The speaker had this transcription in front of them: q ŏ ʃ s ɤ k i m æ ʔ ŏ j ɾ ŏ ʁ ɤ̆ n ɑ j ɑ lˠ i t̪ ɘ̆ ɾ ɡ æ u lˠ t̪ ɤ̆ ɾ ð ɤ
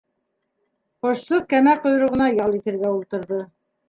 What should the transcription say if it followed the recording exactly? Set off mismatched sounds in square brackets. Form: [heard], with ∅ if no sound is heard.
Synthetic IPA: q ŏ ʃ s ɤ k [æ] m æ [q] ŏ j ɾ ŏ ʁ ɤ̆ n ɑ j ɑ lˠ i t̪ ɘ̆ ɾ ɡ æ u lˠ t̪ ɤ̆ ɾ ð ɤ

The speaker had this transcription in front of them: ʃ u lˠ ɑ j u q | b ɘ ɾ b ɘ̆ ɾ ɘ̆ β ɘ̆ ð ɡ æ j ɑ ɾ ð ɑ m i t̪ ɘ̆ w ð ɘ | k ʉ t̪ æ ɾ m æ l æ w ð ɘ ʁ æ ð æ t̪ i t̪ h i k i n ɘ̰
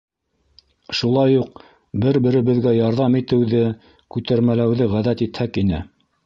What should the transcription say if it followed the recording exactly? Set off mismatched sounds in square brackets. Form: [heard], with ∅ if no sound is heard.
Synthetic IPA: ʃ u lˠ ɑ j u q | b ɘ ɾ b ɘ̆ ɾ ɘ̆ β ɘ̆ ð ɡ æ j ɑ ɾ ð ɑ m i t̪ ɘ̆ w ð ɘ | k ʉ t̪ æ ɾ m æ l æ w ð ɘ ʁ æ ð æ t̪ i t̪ h [æ] k i n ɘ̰

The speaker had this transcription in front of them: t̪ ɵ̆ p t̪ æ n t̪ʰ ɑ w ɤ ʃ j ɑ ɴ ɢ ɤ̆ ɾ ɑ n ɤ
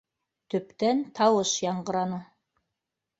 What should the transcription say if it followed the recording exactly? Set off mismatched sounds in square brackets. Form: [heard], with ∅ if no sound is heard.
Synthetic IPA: t̪ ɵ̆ p t̪ æ n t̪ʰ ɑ w ɤ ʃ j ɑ ɴ ɢ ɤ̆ ɾ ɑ n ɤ

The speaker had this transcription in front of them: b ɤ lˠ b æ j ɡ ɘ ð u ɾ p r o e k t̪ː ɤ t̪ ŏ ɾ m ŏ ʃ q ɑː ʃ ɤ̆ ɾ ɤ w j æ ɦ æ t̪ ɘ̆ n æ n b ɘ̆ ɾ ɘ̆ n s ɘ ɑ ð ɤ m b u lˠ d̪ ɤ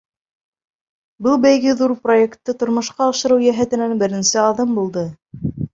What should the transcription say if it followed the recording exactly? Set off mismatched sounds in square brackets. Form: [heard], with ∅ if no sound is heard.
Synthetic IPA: b ɤ lˠ b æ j ɡ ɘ ð u ɾ p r o e k t̪ː ɤ t̪ ŏ ɾ m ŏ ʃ q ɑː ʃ ɤ̆ ɾ ɤ w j æ ɦ æ t̪ ɘ̆ n æ n b ɘ̆ ɾ ɘ̆ n s ɘ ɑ ð ɤ m b u lˠ d̪ ɤ

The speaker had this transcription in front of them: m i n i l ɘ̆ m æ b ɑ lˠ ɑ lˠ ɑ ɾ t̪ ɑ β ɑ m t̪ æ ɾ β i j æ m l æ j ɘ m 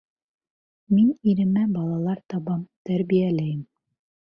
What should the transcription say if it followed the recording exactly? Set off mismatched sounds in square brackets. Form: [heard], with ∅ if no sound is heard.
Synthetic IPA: m i n i [ɾ] ɘ̆ m æ b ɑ lˠ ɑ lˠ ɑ ɾ t̪ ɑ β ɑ m t̪ æ ɾ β i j æ [∅] l æ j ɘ m

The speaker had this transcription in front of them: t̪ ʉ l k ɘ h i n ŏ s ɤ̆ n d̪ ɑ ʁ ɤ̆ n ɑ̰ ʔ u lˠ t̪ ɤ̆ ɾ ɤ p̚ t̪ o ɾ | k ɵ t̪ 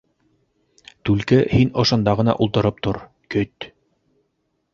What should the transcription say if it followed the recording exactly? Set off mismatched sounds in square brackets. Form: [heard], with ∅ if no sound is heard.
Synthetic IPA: t̪ ʉ l k ɘ h i n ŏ [ʃ] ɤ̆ n d̪ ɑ ʁ ɤ̆ n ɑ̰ ʔ u lˠ t̪ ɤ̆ ɾ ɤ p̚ t̪ o ɾ | k ɵ t̪

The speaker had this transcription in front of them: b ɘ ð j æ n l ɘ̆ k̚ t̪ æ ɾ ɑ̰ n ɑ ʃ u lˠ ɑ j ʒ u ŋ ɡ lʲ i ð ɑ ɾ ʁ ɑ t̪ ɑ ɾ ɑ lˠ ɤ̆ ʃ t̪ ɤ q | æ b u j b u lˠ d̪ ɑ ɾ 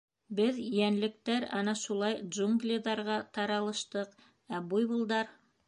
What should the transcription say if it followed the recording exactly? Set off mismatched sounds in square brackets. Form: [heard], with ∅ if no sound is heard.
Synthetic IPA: b ɘ ð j æ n l ɘ̆ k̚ t̪ æ ɾ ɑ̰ n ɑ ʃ u lˠ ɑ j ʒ u ŋ ɡ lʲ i ð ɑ ɾ ʁ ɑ t̪ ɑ ɾ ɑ lˠ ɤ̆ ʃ t̪ ɤ q | æ b u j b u lˠ d̪ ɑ ɾ

